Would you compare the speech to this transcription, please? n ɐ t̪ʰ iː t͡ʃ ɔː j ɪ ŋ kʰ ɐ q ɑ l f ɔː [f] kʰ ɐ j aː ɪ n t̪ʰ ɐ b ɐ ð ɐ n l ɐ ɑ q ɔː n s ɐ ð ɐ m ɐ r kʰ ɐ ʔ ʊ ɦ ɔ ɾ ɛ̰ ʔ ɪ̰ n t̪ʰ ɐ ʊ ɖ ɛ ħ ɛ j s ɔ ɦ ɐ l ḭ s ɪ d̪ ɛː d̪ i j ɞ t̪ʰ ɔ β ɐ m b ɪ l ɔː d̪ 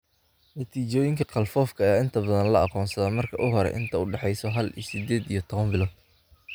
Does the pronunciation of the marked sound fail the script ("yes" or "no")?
no